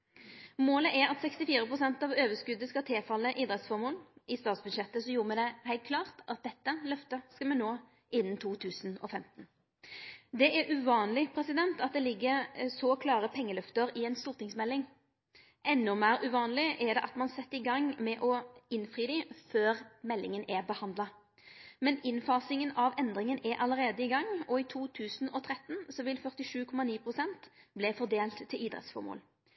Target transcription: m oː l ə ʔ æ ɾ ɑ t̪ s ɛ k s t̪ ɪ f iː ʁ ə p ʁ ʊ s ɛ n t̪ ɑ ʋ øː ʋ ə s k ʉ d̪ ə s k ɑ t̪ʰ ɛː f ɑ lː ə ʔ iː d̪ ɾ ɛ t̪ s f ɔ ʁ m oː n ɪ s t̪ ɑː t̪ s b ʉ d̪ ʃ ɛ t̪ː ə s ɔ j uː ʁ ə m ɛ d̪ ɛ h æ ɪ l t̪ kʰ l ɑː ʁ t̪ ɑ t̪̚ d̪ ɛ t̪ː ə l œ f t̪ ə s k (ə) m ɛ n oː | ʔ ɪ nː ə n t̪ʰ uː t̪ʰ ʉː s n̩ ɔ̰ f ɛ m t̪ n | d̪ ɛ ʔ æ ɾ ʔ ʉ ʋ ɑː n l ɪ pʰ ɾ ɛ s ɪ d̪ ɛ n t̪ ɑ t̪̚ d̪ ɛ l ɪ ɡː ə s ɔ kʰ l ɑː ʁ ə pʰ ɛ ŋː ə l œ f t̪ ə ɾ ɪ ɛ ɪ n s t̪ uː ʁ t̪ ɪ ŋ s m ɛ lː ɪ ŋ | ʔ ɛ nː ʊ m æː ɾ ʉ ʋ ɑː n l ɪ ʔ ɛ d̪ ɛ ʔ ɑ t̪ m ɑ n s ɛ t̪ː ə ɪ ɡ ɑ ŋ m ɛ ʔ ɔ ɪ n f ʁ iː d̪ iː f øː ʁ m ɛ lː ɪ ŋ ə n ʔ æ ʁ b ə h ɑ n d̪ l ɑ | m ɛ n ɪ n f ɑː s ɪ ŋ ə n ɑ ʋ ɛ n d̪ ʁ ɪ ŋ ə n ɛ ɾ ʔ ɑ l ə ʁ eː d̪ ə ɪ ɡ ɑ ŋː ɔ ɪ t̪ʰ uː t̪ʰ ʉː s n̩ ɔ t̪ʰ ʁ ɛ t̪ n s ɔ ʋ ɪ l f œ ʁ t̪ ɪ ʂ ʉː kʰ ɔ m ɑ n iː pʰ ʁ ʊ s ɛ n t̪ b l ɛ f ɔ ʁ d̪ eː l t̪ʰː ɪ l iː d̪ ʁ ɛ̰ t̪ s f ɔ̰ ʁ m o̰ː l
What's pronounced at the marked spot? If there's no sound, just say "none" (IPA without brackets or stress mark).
ɑ